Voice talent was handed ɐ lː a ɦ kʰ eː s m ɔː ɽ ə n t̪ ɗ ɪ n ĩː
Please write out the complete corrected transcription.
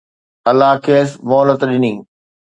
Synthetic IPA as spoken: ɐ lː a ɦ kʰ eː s m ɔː l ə t̪ ɗ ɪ n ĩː